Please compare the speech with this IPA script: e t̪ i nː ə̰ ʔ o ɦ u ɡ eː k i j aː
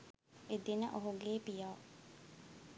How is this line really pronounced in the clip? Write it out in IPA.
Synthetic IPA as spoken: e d̪ i n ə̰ ʔ o ɦ u ɡ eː p i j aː